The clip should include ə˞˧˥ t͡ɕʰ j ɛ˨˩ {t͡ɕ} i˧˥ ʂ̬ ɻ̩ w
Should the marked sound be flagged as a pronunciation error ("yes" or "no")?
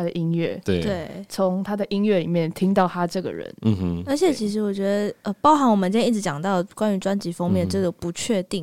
yes